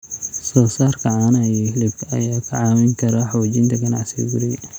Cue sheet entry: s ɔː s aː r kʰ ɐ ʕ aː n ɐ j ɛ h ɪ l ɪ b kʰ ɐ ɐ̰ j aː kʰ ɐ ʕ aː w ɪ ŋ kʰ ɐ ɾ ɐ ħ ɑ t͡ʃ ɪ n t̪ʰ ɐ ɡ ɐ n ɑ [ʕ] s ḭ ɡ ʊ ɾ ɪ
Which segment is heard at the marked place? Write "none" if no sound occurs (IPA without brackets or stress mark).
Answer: ʕ